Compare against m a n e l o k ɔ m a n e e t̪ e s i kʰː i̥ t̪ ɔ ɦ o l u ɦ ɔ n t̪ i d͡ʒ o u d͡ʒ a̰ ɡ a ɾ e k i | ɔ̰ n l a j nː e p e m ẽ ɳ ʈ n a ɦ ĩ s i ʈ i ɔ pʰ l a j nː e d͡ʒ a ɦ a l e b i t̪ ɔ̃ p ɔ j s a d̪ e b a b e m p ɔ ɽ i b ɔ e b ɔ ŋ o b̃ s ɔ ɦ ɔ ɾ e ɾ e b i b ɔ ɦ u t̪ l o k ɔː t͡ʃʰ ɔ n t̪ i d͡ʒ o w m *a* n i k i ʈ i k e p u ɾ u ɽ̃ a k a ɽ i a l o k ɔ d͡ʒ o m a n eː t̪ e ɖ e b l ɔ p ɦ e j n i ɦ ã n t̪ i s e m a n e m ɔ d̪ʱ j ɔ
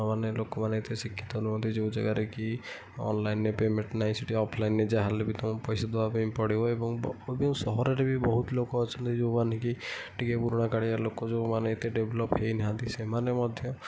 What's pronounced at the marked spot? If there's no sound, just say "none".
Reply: a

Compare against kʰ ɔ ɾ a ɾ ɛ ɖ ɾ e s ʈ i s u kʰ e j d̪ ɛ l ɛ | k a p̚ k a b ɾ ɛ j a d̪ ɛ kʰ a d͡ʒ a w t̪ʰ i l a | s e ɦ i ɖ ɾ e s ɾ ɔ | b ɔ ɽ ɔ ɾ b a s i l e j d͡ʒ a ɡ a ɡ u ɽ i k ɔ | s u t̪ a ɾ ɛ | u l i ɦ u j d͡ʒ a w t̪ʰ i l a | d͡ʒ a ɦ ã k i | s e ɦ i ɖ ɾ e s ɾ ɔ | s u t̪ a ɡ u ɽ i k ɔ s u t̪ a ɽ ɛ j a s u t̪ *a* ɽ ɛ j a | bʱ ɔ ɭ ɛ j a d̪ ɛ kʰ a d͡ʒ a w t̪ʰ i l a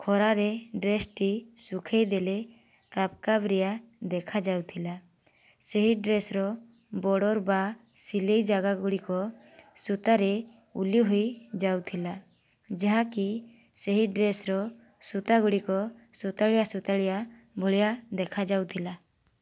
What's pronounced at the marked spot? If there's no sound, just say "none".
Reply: a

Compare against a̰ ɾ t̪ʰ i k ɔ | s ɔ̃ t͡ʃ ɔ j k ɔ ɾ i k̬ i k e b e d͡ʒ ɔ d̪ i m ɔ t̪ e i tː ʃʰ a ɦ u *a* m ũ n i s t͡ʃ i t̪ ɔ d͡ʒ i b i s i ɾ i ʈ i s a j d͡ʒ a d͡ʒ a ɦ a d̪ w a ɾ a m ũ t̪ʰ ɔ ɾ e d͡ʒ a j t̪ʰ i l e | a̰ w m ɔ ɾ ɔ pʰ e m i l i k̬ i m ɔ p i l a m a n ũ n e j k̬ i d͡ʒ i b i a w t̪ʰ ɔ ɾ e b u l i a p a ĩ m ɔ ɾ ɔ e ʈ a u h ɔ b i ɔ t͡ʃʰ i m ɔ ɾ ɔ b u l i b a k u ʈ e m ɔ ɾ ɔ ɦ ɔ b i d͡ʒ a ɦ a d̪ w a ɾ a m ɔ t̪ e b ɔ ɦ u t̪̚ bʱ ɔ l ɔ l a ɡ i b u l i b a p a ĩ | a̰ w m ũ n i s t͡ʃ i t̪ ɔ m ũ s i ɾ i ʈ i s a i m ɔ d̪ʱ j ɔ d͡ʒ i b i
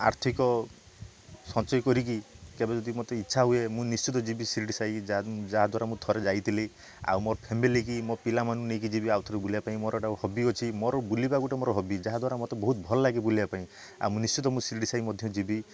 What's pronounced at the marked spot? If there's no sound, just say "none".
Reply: e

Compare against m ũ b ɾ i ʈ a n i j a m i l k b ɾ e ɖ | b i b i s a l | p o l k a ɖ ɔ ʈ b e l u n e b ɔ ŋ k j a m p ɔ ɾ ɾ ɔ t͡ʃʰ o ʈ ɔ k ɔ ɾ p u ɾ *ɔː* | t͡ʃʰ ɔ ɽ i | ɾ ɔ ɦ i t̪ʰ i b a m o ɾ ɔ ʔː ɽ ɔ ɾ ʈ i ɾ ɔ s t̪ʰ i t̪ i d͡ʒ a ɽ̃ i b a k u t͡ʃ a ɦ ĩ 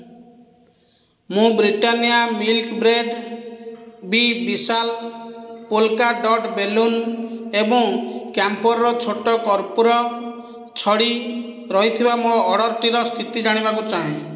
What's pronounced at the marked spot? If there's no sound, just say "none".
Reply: ɔ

